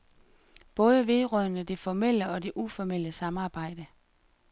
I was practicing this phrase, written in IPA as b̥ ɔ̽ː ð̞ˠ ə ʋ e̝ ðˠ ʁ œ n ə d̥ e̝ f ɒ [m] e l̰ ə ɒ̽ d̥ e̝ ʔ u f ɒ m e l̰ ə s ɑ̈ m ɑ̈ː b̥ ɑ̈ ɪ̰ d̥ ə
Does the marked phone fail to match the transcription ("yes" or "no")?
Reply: no